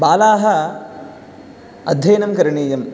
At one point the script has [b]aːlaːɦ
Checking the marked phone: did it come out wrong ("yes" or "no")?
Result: no